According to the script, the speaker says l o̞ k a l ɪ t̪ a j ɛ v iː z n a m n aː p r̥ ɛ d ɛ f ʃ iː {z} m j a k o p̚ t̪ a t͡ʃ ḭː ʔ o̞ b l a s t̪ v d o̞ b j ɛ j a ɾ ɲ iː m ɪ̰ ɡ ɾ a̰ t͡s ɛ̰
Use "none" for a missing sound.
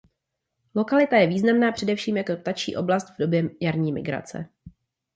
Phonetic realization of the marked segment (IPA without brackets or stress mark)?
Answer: none